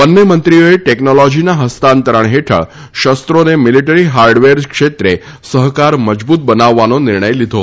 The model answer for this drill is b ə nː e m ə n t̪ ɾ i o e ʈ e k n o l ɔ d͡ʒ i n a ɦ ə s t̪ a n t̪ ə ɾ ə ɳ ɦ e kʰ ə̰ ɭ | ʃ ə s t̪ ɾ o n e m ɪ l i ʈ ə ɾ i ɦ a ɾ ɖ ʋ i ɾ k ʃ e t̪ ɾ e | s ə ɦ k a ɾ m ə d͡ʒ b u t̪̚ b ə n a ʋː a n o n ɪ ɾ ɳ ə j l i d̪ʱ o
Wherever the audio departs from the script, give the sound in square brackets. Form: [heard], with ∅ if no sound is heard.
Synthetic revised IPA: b ə nː e m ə n t̪ ɾ i o e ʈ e k n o l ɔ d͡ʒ i n a ɦ ə s t̪ a n t̪ ə ɾ ə ɳ ɦ e [ʈʰ] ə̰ ɭ | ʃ ə s t̪ ɾ o n e m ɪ l i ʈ ə ɾ i ɦ a ɾ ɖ ʋ [e] ɾ k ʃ e t̪ ɾ e | s ə ɦ k a ɾ m ə d͡ʒ b u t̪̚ b ə n a ʋː a n o n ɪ ɾ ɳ ə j l i d̪ʱ o